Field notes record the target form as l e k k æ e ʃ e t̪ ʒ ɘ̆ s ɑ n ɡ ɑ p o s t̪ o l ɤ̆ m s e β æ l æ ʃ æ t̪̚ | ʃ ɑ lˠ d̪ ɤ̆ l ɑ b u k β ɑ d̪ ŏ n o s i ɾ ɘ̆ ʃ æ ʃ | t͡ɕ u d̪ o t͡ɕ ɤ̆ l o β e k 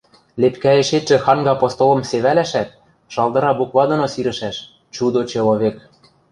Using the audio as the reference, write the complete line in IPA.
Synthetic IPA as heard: l e p k æ e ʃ e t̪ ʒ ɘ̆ x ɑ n ɡ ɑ p o s t̪ o l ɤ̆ m s e β æ l æ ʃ æ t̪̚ | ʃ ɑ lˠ d̪ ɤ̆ ɾ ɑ b u k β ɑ d̪ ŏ n o s i ɾ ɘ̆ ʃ æ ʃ | t͡ɕ u d̪ o t͡ɕ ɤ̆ l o β e k